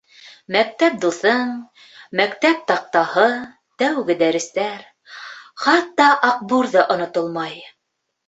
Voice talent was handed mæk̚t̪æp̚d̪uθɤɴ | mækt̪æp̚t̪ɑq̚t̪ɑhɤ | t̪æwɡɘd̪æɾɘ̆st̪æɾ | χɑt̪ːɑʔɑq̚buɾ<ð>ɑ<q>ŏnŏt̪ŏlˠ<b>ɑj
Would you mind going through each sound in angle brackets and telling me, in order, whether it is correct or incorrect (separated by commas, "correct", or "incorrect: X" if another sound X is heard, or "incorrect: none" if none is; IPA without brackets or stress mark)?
correct, incorrect: ʔ, incorrect: m